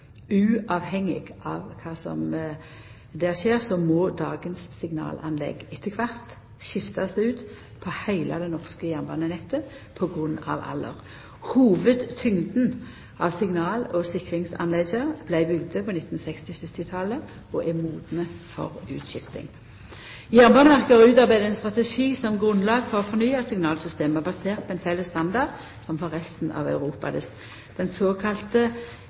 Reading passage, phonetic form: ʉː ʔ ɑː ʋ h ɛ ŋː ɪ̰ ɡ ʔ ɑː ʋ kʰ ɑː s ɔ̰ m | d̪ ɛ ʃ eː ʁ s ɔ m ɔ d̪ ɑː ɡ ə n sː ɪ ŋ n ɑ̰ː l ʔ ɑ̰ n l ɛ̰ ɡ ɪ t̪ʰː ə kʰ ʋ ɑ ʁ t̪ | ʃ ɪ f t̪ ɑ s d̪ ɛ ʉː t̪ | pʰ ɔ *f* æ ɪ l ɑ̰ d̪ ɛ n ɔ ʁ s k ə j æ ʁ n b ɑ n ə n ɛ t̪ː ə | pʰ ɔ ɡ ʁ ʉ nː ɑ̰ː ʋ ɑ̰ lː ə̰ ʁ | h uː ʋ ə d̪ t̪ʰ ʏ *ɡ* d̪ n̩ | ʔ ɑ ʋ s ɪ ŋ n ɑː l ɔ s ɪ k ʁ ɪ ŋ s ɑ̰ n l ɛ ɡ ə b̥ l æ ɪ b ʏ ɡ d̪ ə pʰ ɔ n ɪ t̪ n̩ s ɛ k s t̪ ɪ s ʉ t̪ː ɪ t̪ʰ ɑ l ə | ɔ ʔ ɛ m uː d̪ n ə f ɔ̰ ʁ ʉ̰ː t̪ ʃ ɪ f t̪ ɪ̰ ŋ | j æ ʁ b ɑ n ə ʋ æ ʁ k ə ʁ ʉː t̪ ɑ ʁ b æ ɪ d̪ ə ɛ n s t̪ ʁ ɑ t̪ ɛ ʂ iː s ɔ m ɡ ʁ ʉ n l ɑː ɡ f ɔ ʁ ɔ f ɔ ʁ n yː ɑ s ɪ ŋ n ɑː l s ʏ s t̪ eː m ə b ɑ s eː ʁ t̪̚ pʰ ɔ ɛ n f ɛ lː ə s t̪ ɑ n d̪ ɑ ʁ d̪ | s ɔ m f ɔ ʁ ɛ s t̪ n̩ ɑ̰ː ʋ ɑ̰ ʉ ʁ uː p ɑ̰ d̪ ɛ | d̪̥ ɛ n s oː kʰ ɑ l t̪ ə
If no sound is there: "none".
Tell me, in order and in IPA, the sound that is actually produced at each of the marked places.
h, ŋ

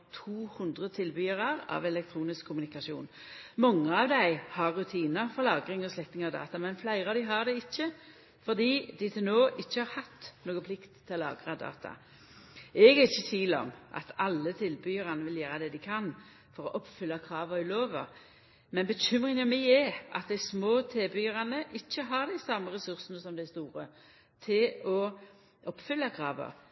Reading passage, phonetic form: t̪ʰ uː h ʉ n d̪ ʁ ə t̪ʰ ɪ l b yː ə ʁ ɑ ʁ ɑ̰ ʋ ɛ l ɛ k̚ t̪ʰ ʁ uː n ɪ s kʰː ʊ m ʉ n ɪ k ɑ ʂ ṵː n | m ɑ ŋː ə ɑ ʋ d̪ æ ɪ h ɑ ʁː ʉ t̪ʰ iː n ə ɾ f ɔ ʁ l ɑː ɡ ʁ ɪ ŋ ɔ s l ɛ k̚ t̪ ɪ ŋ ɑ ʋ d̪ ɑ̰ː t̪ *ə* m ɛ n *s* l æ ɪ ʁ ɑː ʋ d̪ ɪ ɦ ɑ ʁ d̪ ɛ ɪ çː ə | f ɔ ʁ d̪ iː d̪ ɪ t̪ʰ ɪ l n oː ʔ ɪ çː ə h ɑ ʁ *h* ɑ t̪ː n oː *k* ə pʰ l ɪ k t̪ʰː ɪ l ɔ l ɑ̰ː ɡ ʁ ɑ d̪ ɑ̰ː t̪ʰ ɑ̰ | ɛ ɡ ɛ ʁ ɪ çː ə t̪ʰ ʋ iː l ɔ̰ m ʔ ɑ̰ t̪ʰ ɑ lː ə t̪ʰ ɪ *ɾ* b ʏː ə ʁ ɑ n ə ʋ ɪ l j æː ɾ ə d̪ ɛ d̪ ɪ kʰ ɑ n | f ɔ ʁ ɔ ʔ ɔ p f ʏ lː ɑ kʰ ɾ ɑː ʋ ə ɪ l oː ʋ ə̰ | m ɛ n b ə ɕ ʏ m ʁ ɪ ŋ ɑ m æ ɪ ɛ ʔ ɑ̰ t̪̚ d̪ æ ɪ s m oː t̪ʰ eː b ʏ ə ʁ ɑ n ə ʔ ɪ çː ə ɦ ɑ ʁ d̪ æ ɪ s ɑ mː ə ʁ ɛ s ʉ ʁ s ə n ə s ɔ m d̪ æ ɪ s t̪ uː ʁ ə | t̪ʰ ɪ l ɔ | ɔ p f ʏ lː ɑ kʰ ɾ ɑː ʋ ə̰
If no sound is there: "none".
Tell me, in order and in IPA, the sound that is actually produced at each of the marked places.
ɑ, f, h, ɡ, l

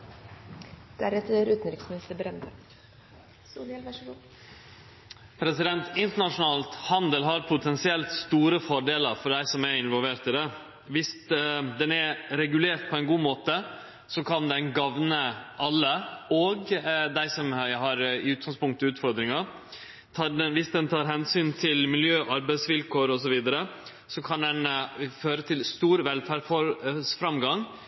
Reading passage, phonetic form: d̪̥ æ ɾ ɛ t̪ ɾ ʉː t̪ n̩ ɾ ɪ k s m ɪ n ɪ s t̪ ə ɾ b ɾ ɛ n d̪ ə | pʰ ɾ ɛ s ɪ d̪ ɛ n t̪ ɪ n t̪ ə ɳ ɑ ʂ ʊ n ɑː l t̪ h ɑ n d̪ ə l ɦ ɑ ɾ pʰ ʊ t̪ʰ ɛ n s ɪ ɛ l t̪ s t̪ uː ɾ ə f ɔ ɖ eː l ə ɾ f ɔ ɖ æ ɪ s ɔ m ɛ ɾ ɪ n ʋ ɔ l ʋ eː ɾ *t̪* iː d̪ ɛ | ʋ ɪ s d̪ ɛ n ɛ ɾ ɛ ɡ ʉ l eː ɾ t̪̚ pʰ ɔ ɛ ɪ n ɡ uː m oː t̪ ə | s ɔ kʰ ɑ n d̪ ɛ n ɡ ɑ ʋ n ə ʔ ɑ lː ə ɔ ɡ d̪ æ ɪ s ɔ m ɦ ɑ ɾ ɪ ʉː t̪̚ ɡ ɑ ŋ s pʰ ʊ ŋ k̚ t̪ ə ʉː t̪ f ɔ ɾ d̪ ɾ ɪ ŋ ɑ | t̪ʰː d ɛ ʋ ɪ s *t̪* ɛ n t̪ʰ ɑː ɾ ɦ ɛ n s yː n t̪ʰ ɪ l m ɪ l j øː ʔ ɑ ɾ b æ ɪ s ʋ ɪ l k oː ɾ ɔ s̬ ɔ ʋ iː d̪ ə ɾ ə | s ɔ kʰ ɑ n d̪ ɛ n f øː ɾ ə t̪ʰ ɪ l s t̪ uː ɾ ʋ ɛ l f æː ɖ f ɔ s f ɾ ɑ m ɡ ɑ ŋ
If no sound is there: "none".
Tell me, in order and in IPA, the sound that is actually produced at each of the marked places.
t̪, d̪

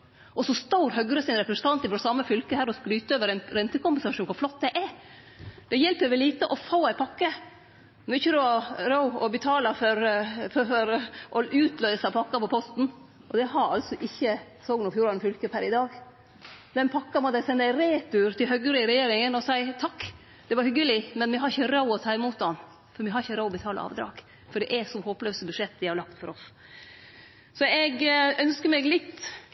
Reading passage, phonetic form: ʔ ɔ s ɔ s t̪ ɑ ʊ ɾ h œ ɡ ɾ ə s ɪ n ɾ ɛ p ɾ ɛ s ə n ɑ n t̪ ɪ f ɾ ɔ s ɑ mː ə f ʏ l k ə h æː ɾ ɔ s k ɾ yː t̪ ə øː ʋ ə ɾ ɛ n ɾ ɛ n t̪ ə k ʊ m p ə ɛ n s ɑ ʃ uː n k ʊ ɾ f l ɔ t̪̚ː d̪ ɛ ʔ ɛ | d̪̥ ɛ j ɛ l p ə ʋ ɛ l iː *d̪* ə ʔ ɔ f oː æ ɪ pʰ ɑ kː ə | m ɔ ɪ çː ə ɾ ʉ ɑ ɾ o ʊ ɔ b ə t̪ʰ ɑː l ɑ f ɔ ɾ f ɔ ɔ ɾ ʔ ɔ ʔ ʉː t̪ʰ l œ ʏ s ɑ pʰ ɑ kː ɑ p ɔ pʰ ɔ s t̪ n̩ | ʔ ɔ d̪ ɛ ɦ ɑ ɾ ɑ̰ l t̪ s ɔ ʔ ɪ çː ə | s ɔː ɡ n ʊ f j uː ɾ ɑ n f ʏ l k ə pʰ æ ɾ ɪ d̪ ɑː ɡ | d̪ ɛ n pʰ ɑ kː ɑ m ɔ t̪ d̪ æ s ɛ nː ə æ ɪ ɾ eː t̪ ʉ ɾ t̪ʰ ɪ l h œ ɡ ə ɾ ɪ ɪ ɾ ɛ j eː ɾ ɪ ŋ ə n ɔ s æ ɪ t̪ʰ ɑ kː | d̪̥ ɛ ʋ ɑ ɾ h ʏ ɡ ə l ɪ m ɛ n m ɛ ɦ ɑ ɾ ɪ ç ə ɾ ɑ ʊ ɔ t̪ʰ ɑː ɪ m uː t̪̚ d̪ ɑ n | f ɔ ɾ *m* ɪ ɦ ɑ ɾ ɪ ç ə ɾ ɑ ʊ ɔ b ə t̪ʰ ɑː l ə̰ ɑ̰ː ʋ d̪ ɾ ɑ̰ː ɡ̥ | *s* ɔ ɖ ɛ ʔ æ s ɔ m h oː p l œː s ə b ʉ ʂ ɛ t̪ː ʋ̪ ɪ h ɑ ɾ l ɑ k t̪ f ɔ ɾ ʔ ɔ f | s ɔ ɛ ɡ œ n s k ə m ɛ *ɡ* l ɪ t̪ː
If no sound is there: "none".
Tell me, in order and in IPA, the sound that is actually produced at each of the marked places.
t̪, m, f, ɡ

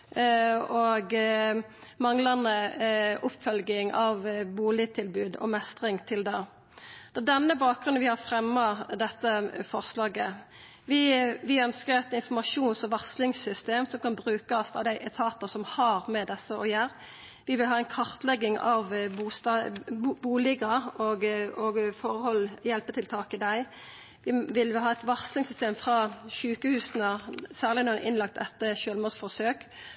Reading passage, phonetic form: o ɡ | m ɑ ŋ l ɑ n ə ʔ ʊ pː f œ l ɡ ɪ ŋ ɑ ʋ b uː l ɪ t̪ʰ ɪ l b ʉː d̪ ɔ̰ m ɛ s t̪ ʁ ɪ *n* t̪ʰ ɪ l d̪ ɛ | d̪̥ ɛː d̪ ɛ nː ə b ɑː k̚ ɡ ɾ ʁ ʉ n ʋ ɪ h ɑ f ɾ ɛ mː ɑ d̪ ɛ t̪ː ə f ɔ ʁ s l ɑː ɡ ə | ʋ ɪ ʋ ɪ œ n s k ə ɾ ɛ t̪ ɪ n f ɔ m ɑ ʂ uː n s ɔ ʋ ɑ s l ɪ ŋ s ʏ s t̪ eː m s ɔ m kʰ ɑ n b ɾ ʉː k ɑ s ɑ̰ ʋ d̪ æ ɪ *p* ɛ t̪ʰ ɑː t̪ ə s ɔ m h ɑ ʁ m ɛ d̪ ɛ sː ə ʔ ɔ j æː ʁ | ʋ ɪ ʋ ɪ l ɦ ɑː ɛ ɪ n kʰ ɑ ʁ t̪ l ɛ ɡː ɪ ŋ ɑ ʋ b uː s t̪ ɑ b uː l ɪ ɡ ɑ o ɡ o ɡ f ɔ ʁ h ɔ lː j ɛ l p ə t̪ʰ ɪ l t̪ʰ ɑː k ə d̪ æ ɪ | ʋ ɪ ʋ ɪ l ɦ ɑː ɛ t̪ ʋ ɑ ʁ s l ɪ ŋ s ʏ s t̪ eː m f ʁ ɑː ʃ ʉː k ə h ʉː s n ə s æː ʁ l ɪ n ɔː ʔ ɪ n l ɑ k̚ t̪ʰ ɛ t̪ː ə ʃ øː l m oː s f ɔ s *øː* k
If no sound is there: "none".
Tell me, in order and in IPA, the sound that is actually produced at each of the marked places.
ŋ, ʔ, øː

